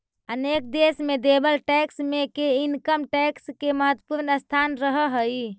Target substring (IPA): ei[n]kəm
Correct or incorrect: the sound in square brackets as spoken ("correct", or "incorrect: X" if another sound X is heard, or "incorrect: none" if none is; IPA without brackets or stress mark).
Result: correct